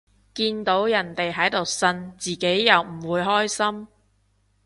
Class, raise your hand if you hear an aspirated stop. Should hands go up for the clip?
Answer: no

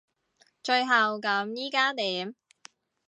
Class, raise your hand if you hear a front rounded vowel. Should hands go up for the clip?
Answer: no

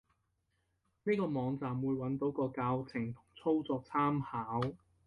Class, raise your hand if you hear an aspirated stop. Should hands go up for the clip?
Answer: yes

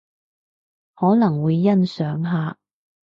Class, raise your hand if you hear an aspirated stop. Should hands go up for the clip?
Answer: no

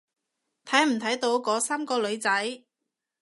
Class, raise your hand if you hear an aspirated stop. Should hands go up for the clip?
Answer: yes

